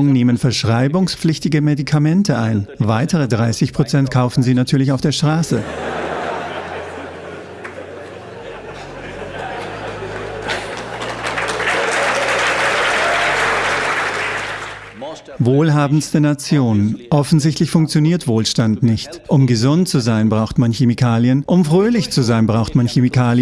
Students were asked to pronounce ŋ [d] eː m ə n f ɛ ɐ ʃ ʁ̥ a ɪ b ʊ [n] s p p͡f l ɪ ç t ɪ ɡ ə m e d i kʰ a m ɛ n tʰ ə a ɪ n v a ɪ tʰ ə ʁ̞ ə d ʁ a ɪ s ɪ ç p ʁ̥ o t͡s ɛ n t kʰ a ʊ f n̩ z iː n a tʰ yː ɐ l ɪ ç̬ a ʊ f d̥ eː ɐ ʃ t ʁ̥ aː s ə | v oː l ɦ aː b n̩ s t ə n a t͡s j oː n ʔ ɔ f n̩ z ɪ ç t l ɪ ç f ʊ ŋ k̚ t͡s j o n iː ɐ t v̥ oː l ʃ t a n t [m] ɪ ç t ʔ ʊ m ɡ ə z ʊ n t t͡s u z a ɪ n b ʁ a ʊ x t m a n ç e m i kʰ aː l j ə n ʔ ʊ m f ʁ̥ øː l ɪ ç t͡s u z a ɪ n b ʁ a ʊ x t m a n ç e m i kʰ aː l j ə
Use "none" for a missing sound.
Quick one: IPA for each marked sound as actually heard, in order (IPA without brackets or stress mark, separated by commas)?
n, ŋ, n